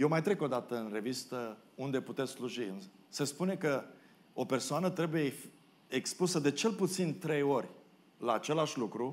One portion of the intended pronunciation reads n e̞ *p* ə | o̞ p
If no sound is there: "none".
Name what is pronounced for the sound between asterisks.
k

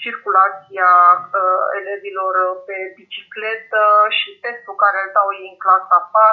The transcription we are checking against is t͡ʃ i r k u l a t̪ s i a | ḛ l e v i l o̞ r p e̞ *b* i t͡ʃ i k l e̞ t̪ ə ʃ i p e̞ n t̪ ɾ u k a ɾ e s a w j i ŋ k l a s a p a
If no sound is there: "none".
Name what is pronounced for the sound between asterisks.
b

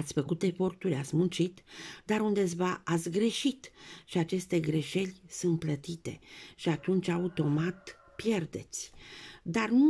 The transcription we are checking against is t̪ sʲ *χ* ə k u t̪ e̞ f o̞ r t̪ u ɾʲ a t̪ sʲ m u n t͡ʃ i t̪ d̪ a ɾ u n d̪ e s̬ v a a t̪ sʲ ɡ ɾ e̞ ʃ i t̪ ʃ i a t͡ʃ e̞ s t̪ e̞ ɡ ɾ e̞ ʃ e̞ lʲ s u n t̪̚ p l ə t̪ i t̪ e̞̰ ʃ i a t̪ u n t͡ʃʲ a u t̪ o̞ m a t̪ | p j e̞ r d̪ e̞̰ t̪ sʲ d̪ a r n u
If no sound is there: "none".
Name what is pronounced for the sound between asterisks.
f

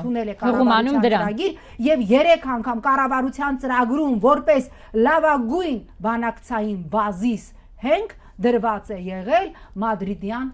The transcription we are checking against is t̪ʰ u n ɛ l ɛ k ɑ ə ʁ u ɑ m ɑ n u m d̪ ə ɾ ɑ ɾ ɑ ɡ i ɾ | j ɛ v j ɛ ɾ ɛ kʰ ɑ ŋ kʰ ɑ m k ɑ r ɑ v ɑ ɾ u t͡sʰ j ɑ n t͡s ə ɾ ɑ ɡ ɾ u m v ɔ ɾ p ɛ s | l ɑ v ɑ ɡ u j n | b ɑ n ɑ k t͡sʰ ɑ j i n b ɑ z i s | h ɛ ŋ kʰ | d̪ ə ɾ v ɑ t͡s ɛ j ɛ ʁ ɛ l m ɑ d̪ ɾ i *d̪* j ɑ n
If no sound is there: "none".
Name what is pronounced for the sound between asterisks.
d̪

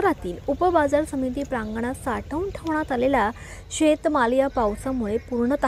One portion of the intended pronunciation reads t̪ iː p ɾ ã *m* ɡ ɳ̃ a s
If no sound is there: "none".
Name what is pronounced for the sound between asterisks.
ŋ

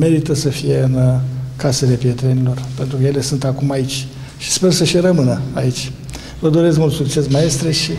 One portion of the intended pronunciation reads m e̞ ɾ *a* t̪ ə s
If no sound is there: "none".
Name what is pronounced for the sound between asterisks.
i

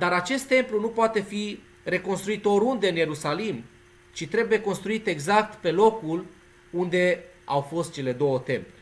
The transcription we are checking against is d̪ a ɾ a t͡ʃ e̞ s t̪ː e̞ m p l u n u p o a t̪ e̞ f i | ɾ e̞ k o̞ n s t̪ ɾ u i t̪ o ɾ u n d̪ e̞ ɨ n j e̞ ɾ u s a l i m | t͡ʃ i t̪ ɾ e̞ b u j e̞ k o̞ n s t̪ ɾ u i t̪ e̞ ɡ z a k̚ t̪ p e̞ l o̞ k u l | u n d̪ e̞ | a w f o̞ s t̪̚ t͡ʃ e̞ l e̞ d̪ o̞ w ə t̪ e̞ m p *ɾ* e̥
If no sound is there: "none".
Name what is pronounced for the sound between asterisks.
l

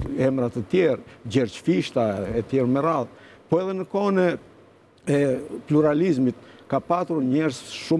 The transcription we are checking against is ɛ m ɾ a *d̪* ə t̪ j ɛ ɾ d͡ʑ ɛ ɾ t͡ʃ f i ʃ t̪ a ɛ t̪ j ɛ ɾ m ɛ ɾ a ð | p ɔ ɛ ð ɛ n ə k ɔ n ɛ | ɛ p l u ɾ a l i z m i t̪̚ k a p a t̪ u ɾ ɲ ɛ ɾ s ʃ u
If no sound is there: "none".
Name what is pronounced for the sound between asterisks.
t̪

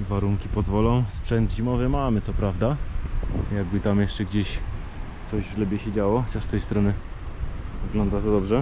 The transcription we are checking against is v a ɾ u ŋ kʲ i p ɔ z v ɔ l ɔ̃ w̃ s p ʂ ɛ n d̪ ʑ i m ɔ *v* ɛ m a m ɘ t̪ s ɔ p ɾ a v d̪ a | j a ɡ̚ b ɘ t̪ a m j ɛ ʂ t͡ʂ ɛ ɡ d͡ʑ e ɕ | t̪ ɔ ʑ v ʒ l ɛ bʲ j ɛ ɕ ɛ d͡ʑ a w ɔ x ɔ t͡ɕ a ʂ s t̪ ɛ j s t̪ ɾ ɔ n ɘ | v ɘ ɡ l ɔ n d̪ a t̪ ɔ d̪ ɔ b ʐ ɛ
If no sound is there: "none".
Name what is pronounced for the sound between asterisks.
v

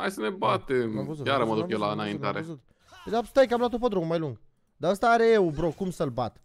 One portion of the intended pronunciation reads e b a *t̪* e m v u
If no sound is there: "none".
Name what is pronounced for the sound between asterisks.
t̪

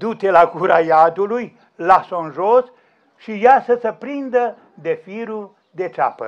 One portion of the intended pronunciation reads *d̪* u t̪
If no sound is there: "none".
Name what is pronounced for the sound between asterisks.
d̪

